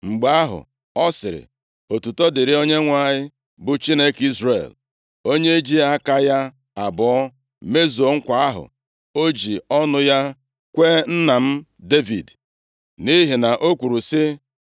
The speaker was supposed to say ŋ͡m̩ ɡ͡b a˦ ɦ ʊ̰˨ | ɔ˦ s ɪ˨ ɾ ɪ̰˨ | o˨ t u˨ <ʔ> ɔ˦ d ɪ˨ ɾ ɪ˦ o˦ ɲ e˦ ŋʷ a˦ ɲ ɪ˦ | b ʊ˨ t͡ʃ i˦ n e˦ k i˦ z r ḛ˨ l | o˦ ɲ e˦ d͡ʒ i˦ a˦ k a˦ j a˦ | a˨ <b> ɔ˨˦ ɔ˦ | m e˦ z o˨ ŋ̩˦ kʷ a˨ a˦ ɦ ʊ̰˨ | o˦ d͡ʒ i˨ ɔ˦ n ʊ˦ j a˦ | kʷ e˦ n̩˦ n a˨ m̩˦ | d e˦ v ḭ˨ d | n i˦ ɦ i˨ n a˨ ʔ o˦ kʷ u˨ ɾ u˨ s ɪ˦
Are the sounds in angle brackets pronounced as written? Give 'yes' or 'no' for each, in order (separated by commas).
no, yes